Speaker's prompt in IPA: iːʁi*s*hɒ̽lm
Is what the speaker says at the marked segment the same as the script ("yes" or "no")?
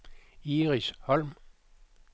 yes